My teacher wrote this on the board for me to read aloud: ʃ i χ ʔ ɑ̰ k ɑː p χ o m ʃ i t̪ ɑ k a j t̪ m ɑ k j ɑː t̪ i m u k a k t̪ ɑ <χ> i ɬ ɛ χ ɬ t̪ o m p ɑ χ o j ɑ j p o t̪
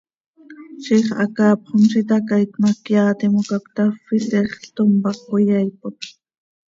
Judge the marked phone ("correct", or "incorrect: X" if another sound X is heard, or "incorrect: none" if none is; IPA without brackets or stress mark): incorrect: f